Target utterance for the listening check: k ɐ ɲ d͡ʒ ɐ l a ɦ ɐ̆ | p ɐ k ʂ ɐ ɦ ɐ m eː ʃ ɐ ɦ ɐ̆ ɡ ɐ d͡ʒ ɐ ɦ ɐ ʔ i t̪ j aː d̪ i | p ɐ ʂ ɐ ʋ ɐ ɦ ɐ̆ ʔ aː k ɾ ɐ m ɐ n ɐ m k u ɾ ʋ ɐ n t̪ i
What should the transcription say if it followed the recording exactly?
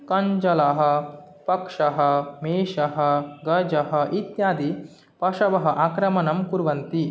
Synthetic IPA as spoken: k ɐ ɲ d͡ʒ ɐ l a ɦ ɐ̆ | p ɐ k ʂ ɐ ɦ ɐ m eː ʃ ɐ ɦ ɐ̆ ɡ ɐ d͡ʒ ɐ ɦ ɐ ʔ i t̪ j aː d̪ i | p ɐ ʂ ɐ ʋ ɐ ɦ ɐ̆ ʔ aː k ɾ ɐ m ɐ n ɐ m k u ɾ ʋ ɐ n t̪ i